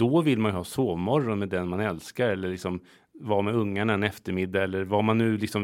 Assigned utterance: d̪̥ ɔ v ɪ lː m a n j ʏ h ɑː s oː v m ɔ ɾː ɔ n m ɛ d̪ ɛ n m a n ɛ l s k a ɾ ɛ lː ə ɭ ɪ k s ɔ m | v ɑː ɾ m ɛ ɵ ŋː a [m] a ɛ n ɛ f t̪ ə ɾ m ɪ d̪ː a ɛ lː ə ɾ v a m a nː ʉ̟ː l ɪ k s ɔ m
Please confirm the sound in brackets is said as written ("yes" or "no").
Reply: no